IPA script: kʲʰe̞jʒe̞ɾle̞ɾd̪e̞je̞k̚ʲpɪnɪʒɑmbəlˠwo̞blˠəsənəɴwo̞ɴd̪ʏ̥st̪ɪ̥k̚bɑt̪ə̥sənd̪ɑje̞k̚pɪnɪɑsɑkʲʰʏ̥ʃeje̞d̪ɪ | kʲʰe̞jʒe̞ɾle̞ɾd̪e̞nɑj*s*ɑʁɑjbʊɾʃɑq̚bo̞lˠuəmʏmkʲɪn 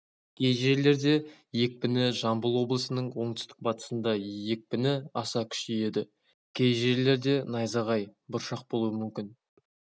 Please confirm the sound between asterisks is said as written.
no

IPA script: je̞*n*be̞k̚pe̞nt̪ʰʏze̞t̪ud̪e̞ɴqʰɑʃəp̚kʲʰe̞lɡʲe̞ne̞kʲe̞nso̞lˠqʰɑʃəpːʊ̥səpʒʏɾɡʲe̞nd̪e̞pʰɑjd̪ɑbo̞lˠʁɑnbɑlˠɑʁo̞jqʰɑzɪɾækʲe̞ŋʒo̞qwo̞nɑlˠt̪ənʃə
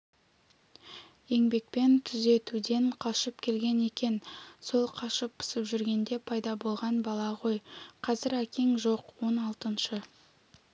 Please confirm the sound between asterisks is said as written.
no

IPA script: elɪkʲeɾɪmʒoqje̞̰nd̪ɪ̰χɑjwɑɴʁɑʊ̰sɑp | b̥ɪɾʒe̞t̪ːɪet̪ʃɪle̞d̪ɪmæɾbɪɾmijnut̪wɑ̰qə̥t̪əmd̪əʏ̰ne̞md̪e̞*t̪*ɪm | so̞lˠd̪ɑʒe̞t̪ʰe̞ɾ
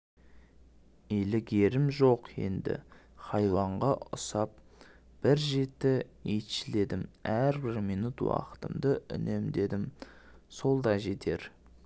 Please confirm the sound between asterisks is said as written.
no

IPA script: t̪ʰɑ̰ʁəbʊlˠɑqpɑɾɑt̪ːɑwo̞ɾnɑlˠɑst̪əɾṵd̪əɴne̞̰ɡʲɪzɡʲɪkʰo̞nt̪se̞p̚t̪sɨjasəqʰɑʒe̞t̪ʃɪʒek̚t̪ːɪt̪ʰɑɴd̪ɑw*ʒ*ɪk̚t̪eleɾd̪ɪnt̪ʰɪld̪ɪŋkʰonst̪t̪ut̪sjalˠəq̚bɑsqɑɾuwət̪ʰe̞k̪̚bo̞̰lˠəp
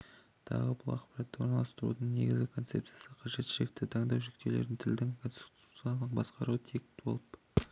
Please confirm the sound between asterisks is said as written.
yes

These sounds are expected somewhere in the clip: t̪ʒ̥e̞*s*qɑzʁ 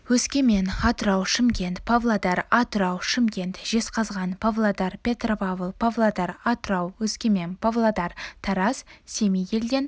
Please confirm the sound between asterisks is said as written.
yes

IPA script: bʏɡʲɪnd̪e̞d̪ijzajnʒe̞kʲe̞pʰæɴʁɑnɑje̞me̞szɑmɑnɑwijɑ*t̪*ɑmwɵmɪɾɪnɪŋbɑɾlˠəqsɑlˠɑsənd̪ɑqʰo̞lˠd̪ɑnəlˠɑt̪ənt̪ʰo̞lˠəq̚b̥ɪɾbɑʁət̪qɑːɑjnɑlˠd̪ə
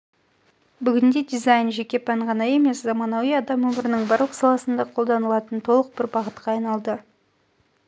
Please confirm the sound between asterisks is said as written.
no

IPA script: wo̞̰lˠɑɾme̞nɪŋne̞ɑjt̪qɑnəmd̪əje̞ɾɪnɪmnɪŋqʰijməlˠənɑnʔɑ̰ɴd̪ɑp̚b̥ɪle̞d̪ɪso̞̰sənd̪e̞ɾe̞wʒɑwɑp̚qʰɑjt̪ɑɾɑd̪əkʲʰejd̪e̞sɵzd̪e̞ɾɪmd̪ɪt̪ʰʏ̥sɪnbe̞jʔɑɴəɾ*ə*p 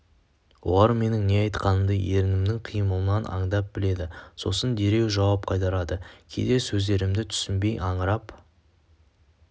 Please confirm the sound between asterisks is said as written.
no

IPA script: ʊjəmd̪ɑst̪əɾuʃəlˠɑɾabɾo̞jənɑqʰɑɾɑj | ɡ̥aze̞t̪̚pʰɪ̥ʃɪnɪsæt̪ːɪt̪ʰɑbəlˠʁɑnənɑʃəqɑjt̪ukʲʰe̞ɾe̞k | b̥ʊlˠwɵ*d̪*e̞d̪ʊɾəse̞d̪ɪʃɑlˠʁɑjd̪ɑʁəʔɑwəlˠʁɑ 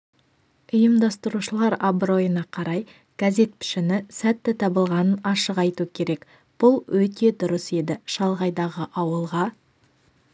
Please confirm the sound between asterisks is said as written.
no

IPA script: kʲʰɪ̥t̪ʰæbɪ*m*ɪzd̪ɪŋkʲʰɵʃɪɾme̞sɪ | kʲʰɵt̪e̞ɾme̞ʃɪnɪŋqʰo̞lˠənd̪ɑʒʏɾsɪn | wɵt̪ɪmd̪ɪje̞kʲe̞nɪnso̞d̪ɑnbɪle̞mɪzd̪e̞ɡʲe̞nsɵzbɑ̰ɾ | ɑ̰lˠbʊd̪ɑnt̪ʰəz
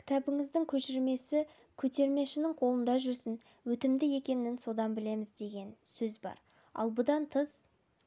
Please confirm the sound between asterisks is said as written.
no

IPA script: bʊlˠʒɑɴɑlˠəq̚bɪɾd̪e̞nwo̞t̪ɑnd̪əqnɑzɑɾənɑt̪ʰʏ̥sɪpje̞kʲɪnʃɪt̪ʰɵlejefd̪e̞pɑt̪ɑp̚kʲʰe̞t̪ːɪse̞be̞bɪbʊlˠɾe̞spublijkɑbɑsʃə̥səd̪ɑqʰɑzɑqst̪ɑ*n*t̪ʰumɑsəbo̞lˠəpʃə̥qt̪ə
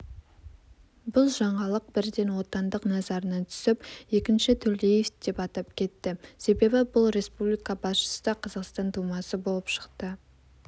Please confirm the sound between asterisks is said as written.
yes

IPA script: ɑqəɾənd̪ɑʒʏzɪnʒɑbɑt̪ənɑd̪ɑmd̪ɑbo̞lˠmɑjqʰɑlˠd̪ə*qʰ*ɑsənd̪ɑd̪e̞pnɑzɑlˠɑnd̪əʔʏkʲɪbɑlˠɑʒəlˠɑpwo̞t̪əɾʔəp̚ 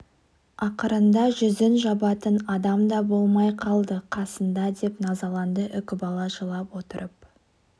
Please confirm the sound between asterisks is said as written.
yes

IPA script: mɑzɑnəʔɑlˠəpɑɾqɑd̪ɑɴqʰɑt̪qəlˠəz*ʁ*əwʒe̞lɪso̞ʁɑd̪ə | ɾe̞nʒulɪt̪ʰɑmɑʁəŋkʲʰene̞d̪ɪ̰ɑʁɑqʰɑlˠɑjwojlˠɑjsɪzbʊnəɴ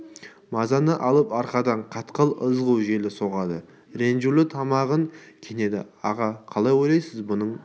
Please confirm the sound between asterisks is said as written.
yes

